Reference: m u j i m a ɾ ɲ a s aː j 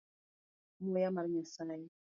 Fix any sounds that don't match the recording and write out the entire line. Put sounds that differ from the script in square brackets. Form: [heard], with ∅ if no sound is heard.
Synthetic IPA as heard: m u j [a] m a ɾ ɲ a s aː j

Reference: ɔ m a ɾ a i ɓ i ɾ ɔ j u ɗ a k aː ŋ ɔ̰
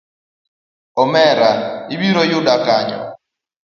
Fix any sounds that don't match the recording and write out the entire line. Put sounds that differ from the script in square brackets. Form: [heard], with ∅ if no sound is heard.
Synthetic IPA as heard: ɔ m [ɛ] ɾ a i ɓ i ɾ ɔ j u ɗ a k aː [ɲ] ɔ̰

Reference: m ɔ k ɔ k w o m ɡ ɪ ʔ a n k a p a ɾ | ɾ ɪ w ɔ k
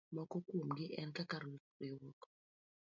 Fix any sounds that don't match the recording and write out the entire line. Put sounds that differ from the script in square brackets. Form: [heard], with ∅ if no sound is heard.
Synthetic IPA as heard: m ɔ k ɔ k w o m ɡ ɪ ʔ [ɛ] n k a [k] a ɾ | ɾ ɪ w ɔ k

